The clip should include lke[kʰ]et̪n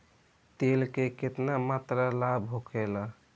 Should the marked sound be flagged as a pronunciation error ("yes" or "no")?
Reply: yes